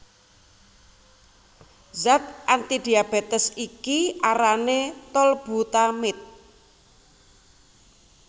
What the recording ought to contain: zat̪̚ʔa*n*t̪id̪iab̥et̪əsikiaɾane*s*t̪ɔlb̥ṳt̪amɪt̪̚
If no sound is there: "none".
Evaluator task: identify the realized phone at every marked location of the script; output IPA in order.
n, none

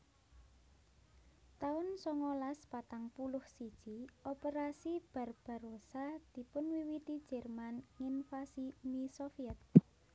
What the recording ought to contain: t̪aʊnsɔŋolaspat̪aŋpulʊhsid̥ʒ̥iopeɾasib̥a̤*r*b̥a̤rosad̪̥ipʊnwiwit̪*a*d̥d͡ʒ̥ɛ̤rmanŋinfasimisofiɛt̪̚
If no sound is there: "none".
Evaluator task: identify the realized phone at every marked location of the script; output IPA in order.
r, i

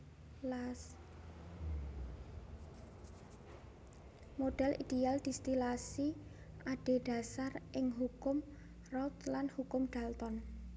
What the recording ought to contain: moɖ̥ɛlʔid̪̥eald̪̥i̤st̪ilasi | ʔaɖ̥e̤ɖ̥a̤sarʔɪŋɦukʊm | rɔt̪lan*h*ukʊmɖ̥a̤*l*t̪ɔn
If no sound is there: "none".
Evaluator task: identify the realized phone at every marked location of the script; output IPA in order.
h, l

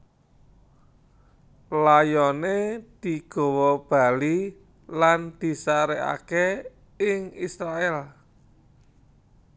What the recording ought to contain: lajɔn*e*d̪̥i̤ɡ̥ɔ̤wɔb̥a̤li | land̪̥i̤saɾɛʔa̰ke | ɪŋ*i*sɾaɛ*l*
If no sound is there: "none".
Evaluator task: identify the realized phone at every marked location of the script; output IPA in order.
e, i, l

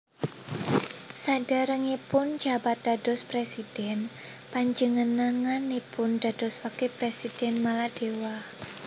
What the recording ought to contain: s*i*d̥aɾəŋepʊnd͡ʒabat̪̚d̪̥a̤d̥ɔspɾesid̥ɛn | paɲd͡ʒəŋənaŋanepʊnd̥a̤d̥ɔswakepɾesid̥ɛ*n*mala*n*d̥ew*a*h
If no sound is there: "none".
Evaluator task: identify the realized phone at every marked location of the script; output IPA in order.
a, n, none, a

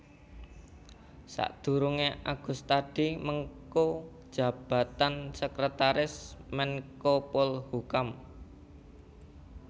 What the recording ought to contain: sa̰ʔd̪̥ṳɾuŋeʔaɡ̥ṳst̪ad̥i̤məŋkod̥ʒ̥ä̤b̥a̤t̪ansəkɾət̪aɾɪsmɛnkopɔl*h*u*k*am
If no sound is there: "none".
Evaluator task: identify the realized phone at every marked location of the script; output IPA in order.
h, k

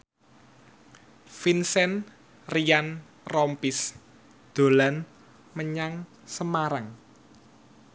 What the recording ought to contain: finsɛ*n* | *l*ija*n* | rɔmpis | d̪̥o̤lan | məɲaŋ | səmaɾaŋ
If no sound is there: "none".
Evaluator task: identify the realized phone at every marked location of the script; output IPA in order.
n, r, n

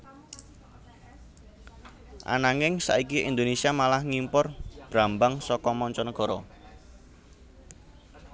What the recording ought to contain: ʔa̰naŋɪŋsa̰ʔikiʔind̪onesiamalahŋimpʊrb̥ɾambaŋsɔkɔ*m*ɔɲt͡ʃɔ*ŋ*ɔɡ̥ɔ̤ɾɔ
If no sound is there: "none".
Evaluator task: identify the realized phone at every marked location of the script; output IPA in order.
m, n

